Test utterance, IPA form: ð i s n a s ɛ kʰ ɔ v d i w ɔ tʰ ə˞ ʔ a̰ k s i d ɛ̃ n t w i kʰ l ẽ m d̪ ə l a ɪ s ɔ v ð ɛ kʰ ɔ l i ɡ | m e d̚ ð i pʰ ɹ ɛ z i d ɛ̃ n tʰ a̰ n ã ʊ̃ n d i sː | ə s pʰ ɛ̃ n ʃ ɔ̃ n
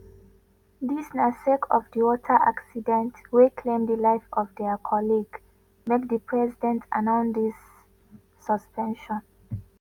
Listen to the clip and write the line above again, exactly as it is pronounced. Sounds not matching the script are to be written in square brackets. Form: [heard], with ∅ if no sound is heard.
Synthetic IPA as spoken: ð i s n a s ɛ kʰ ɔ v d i w ɔ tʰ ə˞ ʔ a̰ k s i d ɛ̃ n t w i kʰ l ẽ m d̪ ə l a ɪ [f] ɔ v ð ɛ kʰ ɔ l i ɡ | m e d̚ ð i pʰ ɹ ɛ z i d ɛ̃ n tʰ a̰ n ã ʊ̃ n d i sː | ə s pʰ ɛ̃ n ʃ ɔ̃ n